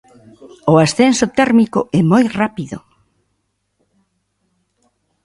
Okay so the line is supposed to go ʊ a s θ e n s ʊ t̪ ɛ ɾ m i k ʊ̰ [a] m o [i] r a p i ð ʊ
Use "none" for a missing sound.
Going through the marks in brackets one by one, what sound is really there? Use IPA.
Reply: ɛ, j

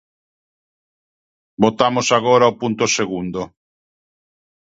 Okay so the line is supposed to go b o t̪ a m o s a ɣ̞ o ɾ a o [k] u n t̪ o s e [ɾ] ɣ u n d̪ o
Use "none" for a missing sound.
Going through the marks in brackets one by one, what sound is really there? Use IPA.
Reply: p, none

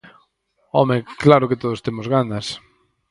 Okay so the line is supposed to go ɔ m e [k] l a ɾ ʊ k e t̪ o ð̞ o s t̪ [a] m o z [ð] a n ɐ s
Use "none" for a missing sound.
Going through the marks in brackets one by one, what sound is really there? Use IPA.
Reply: k, e, ɣ

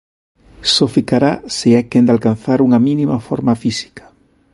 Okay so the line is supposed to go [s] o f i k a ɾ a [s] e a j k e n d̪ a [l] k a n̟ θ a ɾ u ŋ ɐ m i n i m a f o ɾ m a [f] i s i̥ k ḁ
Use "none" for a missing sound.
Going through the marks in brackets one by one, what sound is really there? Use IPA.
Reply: s, s, l, f

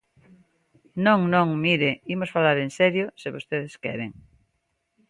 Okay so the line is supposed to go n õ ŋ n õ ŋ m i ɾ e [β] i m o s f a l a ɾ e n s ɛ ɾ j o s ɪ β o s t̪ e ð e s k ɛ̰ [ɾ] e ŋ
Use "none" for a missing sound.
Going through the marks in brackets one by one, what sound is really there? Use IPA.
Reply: none, ɾ

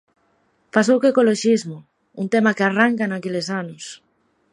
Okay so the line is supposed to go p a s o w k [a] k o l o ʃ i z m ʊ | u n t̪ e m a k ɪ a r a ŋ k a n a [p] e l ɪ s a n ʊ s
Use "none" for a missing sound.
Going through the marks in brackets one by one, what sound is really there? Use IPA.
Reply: e, k

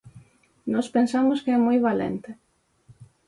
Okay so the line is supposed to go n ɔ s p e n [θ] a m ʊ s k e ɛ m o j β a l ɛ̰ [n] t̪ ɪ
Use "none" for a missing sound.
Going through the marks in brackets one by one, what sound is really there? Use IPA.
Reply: s, n

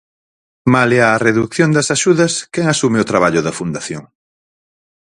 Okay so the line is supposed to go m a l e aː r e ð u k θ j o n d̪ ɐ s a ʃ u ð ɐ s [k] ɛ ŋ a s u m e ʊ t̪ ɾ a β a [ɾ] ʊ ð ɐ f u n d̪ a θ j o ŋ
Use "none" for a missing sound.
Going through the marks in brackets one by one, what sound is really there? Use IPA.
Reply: k, ʎ

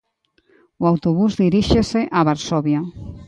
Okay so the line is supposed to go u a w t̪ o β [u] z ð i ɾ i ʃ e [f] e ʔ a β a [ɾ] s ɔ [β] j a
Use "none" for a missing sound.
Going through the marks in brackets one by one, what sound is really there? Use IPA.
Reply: u, s, ɾ, β

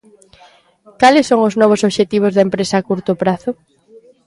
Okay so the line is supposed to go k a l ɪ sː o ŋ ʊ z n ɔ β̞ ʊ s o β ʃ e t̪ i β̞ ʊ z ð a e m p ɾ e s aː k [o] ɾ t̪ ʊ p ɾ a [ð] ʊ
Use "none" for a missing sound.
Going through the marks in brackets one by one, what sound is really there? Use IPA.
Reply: u, θ

